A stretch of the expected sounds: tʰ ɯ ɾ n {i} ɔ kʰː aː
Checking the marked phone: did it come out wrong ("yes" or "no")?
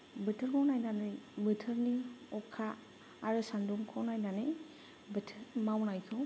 no